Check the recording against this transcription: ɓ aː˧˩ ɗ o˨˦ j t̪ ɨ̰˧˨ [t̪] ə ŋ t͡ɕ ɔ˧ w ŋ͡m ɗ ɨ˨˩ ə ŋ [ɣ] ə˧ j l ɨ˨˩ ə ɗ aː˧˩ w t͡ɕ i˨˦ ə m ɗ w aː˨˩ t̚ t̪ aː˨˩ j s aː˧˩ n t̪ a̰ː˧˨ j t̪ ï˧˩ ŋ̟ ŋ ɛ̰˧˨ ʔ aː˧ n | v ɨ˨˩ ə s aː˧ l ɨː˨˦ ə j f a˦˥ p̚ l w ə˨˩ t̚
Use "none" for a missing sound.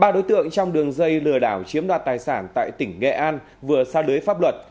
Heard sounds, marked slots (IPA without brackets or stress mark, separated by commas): none, z